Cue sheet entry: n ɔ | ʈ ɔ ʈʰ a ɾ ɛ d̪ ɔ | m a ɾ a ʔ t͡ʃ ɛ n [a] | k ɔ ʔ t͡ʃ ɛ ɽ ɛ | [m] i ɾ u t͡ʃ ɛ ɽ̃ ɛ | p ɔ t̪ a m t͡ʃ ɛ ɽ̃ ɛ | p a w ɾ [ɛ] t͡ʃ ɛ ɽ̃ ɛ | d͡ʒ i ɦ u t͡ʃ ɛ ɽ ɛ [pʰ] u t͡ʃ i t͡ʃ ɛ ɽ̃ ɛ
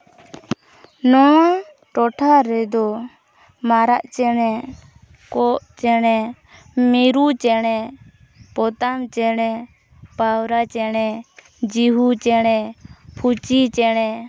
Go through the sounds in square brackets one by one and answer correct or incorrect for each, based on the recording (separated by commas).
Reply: incorrect, correct, incorrect, correct